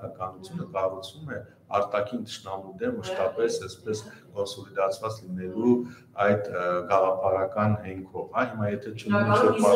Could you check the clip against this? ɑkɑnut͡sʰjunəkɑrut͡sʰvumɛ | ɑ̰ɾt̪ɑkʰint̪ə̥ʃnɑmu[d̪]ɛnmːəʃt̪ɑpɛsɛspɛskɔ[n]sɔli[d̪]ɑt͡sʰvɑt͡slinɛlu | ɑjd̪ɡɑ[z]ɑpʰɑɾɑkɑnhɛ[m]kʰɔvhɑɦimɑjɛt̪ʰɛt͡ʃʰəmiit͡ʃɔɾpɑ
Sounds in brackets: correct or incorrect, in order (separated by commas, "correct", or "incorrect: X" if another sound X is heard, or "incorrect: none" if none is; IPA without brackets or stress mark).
correct, correct, correct, incorrect: ʁ, incorrect: ŋ